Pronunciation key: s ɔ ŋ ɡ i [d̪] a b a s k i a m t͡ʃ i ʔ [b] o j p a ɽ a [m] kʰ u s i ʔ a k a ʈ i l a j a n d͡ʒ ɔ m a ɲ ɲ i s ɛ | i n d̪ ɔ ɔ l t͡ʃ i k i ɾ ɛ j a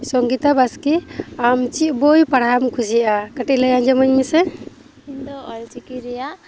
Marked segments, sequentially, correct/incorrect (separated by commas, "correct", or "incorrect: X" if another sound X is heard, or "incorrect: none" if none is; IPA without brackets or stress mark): incorrect: t̪, correct, correct